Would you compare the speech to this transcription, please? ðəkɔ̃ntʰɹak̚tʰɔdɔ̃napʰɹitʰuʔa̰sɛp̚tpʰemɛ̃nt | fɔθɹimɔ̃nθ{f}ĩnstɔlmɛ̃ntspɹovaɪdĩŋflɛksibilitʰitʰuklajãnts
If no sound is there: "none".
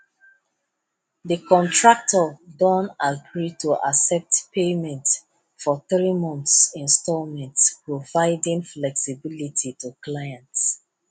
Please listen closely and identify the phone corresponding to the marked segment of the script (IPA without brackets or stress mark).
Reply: s